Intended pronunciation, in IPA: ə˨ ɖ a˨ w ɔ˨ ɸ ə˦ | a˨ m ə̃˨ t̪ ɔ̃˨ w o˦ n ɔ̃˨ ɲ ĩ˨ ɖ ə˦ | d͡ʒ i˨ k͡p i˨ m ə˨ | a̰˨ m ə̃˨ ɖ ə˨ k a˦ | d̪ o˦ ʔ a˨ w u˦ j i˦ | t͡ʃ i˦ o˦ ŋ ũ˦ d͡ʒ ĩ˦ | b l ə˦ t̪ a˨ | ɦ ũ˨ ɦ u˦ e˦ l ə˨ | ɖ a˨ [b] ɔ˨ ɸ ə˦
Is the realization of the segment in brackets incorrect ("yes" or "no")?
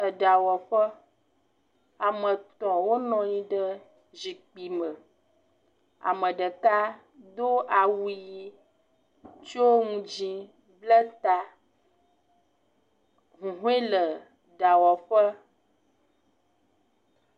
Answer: yes